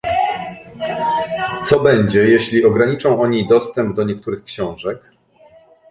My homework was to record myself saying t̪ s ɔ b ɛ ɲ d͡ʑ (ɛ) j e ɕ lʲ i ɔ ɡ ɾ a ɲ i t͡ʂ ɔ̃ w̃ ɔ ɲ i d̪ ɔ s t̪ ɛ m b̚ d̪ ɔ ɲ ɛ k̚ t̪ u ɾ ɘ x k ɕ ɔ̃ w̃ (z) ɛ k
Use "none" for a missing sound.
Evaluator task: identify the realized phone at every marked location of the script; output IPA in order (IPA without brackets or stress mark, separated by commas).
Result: ɛ, ʐ